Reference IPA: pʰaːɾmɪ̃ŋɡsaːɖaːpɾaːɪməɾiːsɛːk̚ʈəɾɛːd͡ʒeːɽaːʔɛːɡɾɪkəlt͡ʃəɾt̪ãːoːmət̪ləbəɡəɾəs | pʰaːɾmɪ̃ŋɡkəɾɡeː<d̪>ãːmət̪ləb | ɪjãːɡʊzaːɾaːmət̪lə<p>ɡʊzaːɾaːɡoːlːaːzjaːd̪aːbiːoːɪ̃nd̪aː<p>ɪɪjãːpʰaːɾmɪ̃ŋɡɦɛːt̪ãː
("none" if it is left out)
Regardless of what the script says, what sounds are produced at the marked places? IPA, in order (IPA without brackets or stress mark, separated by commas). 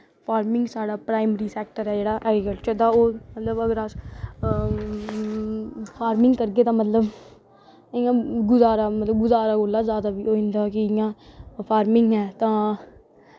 t̪, b, k